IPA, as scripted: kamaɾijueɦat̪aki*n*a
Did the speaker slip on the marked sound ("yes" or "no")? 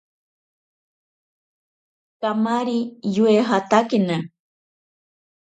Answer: no